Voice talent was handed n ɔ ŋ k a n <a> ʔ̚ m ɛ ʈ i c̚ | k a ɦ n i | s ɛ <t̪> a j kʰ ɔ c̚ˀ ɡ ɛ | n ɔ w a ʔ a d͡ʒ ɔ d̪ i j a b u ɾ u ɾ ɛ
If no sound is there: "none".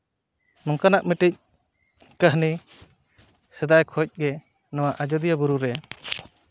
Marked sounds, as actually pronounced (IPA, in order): a, d̪

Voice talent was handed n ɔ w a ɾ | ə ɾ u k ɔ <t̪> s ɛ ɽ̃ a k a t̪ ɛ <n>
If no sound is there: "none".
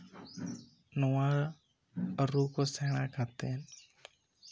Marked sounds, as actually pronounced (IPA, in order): none, n

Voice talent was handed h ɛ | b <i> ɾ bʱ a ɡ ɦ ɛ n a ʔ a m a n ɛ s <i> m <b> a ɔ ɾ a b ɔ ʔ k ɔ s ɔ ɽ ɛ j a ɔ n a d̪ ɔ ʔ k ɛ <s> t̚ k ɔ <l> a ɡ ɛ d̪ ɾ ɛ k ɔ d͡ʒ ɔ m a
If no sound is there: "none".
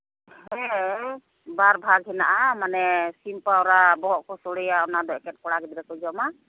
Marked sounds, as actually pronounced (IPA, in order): a, i, p, none, ɽ

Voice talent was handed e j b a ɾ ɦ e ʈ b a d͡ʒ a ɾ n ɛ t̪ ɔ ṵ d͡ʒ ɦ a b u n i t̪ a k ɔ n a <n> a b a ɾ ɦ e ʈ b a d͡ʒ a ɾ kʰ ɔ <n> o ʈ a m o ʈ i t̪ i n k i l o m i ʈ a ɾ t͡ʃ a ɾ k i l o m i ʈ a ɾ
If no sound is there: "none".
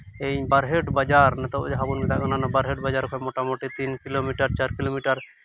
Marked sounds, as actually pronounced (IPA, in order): n, m

